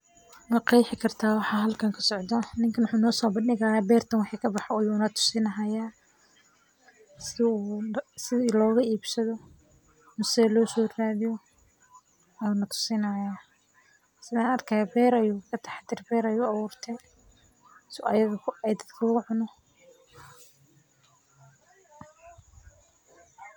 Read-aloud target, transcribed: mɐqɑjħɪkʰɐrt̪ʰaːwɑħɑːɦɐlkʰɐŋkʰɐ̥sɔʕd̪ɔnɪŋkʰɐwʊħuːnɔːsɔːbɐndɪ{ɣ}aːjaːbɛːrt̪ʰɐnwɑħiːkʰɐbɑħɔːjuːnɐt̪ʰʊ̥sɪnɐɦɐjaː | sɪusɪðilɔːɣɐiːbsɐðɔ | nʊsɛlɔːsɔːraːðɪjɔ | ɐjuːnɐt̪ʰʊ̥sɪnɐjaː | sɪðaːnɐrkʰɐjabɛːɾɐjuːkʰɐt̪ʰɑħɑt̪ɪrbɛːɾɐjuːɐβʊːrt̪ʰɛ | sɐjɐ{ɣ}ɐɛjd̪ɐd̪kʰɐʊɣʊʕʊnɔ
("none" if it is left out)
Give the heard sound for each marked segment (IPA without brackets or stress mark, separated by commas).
ɣ, ɣ